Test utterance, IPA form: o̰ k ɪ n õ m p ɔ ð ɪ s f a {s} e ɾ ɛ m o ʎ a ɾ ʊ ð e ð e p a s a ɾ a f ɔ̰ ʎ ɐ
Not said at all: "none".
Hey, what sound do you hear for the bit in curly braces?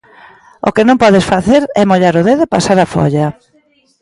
θ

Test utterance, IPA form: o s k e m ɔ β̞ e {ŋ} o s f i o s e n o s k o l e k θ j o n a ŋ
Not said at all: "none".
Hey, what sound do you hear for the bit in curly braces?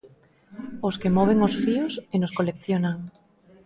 ŋ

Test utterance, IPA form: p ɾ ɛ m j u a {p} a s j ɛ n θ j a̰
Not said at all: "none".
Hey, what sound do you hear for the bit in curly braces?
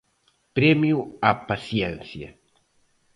p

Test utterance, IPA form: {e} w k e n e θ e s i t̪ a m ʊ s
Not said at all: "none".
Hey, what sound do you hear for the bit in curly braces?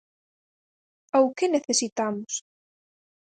a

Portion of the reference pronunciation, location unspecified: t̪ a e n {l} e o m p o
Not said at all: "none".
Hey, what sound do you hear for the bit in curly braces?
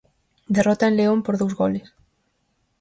l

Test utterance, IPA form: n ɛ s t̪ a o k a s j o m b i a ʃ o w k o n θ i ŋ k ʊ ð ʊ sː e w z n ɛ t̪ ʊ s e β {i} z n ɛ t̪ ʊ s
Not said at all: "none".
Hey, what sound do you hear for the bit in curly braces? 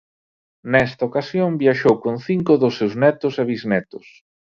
i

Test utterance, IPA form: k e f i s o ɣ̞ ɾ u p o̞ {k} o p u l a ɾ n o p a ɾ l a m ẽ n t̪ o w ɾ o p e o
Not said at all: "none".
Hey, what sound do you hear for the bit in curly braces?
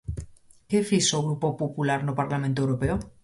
p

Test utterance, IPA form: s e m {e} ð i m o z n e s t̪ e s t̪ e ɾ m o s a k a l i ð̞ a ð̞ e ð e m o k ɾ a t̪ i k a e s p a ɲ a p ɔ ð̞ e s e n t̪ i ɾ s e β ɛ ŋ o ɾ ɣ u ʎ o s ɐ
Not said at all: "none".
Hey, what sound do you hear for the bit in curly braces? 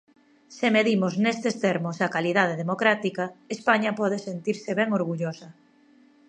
e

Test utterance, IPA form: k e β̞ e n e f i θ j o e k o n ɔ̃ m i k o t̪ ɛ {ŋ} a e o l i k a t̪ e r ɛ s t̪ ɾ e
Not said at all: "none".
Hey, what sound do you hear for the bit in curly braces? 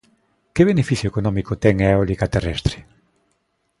ŋ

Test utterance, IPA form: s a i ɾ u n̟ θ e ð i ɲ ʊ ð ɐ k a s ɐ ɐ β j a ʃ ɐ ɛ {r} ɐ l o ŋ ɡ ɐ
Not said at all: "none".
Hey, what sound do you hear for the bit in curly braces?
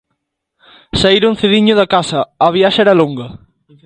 ɾ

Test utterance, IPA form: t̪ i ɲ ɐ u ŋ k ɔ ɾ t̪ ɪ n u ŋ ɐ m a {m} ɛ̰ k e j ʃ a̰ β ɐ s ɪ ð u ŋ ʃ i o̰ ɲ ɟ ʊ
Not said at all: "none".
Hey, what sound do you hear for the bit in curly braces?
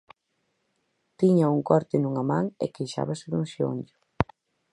ŋ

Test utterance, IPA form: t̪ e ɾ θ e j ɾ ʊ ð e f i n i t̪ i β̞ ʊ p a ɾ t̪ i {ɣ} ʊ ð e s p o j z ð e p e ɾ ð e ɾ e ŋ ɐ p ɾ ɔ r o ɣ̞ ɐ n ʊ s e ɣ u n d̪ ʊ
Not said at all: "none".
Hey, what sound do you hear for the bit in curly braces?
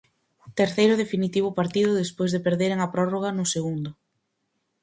ð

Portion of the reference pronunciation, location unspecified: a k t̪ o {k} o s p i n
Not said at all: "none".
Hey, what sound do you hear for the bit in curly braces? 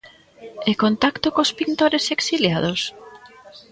k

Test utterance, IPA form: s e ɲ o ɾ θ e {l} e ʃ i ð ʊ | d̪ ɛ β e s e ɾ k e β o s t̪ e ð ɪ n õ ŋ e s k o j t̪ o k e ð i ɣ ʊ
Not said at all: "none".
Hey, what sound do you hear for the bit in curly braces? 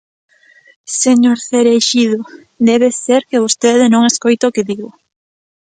ɾ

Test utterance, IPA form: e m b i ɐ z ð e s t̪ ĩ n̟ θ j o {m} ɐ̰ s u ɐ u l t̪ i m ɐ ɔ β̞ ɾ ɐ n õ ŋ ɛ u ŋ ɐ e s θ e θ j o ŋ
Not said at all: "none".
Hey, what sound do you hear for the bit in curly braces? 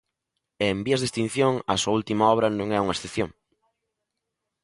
ŋ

